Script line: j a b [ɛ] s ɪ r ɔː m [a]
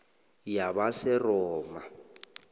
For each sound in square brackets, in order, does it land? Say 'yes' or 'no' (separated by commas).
no, yes